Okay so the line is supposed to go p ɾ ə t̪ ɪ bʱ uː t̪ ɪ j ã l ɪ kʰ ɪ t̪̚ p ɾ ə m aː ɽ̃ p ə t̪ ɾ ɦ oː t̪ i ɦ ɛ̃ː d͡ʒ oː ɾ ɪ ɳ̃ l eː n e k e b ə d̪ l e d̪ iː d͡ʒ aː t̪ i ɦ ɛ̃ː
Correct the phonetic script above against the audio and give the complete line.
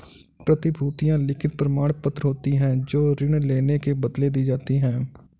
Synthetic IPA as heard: p ɾ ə t̪ ɪ bʱ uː t̪ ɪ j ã l ɪ kʰ ɪ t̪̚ p ɾ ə m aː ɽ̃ p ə t̪ ɾ ɦ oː t̪ i ɦ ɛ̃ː d͡ʒ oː ɾ ɪ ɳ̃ l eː n e k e b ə d̪ l e d̪ iː d͡ʒ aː t̪ i ɦ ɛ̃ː